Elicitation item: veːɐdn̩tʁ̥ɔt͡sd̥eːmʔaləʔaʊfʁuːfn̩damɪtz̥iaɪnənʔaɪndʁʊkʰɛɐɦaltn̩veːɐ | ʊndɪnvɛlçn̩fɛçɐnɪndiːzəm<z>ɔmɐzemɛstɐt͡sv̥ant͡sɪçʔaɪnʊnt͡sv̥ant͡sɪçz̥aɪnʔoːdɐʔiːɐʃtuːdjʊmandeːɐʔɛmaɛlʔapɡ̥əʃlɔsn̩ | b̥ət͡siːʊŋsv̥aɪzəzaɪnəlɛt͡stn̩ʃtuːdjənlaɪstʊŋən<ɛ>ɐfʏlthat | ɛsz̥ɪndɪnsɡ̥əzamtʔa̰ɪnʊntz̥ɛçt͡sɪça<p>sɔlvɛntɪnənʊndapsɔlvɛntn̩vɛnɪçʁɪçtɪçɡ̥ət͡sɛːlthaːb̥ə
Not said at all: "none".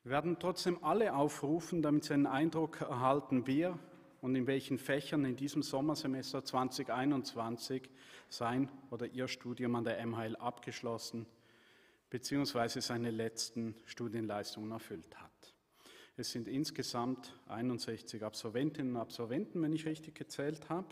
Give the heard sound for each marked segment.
z, ɛ, p

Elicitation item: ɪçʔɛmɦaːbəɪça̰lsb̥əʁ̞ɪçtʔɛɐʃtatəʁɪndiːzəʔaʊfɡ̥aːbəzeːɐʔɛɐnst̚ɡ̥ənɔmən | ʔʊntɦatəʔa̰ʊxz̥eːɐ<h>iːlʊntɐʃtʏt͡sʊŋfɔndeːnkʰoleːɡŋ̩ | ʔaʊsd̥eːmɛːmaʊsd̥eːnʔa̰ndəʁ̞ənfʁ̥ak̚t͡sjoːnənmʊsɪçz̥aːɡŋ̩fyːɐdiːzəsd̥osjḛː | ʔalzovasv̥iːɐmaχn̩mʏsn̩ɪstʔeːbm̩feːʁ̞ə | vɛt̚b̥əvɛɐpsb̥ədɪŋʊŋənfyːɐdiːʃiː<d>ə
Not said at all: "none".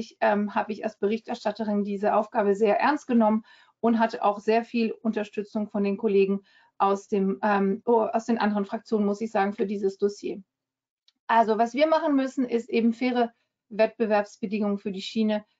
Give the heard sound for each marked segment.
f, n

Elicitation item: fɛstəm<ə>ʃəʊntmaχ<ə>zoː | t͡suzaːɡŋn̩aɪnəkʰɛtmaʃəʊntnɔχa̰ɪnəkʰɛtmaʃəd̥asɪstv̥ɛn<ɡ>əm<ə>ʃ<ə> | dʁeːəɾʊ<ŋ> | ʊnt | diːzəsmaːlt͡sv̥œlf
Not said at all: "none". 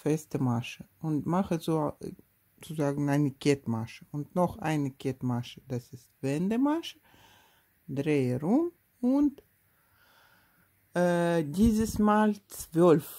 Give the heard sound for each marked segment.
a, ə, d, a, ə, m

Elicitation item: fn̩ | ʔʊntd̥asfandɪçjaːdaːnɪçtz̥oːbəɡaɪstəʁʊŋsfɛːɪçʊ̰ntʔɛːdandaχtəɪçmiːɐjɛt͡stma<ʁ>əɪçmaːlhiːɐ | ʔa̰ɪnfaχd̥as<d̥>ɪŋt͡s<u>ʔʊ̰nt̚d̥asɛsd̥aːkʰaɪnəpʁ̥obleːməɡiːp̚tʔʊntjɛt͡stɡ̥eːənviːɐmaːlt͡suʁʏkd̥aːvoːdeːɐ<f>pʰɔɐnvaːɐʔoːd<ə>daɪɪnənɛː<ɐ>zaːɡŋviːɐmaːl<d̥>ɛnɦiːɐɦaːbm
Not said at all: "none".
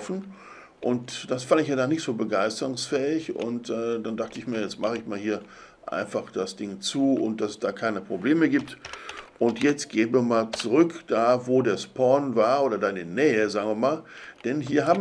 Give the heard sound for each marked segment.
χ, d̥, uː, s, ɐ, ə, d̥

